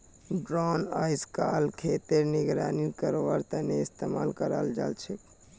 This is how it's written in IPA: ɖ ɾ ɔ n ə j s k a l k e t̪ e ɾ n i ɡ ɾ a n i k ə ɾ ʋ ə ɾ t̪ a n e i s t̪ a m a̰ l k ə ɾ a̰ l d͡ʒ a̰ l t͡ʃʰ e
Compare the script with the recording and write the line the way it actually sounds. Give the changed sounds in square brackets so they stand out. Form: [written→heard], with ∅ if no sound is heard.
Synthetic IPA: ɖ ɾ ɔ n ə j s k a l [k→kʰ] e t̪ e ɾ n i ɡ ɾ a n i k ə ɾ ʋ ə ɾ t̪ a n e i s t̪ [a→e] m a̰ l k ə ɾ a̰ l d͡ʒ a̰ l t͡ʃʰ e